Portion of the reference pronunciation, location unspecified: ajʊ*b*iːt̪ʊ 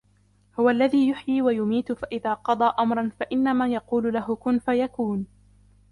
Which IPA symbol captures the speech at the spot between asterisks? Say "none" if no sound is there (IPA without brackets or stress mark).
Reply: m